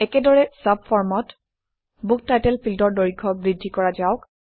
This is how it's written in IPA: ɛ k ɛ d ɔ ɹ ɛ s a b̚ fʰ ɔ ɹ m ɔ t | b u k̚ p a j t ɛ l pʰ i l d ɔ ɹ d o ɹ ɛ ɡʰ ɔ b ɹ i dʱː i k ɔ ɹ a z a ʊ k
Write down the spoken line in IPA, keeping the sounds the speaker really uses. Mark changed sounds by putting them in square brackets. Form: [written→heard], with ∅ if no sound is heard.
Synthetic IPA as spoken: ɛ k ɛ d ɔ ɹ ɛ s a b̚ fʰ ɔ ɹ m ɔ t | b u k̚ [p→t] a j t ɛ l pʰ i l d ɔ ɹ d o ɹ [ɛ→i] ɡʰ ɔ b ɹ i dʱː i k ɔ ɹ a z a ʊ k